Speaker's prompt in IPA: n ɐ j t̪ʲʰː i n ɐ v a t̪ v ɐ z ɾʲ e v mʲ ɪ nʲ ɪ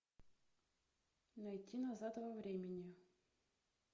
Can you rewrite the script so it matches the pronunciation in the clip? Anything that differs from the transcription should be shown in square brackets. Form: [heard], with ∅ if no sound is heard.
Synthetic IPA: n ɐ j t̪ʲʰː i n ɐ [z] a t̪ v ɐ [v] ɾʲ e [∅] mʲ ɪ nʲ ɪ